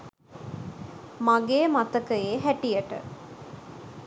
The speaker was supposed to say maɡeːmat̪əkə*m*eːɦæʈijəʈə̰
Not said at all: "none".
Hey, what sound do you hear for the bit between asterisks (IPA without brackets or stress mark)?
none